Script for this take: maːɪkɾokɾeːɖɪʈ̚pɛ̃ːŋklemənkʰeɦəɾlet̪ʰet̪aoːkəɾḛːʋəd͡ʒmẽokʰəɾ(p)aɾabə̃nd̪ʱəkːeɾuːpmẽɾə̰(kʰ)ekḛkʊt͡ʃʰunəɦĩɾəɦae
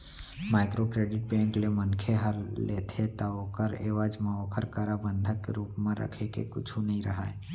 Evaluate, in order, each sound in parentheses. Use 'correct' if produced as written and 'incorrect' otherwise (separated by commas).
incorrect, correct